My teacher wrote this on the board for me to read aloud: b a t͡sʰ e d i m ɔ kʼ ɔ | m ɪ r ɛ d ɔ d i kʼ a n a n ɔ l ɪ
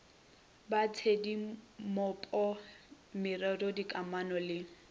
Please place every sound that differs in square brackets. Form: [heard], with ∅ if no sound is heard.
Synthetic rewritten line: b a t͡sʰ e d i m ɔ [pʼ] ɔ | m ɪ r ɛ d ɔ d i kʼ a [m] a n ɔ l ɪ